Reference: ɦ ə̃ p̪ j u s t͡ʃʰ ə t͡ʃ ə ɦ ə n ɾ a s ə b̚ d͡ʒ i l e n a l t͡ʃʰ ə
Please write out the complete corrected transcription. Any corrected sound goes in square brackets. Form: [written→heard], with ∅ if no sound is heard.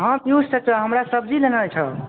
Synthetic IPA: ɦ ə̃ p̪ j u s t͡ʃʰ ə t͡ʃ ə ɦ ə [n→m] ɾ a s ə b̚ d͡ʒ i l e n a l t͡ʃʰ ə